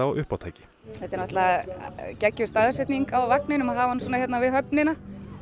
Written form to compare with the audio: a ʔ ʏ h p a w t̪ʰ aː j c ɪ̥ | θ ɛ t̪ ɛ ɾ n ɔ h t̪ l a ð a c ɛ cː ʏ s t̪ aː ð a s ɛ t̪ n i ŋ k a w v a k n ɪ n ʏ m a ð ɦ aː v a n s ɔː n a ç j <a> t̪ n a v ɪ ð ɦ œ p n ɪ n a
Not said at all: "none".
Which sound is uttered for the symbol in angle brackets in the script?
ɛ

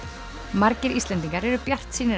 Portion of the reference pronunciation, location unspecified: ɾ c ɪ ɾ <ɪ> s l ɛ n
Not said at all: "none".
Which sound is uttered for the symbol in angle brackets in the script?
i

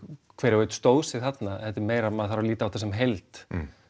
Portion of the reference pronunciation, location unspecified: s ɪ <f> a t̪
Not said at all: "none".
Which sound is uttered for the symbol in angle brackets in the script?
θ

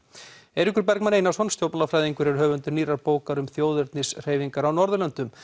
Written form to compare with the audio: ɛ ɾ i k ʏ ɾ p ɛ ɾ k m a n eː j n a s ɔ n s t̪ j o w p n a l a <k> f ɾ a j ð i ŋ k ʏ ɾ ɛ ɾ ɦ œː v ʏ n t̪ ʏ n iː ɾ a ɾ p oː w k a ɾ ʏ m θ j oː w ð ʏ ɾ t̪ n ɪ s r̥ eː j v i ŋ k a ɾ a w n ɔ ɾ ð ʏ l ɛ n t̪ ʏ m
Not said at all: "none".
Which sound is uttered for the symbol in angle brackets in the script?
none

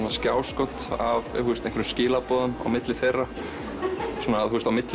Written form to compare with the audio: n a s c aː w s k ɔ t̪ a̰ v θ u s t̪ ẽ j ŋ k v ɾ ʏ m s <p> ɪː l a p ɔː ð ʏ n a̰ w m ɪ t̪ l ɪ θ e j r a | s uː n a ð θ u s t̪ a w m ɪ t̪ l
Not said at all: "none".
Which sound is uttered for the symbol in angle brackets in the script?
c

